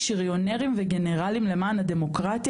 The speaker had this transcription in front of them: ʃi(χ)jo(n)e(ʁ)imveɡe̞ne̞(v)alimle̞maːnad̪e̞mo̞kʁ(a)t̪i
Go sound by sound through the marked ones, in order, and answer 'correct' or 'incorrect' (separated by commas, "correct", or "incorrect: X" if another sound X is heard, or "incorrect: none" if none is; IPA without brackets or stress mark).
incorrect: ʁ, correct, correct, incorrect: ʁ, correct